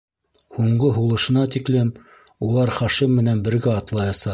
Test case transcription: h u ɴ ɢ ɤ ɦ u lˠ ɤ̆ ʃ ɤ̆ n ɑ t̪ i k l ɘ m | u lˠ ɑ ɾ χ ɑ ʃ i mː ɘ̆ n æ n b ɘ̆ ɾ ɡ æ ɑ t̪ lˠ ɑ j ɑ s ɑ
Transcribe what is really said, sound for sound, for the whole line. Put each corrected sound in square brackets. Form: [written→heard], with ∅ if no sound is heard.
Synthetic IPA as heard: h u ɴ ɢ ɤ ɦ u lˠ ɤ̆ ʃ ɤ̆ n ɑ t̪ i k l ɘ m | u lˠ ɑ ɾ χ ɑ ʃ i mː ɘ̆ n æ n b ɘ̆ ɾ ɡ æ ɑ t̪ lˠ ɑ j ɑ s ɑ